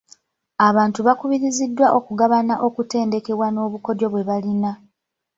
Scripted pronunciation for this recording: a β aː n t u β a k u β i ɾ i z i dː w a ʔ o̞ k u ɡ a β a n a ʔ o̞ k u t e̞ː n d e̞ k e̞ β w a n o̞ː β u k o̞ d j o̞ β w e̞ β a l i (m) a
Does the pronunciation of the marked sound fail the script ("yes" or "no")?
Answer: yes